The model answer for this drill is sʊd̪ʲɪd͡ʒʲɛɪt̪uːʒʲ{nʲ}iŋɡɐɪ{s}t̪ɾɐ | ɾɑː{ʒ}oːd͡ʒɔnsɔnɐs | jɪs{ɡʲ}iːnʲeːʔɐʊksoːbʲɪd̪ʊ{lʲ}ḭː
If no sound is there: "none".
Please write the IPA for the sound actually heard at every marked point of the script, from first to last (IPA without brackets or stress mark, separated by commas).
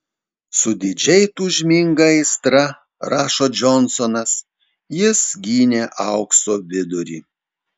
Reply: mʲ, s, ʃ, ɡʲ, ɾʲ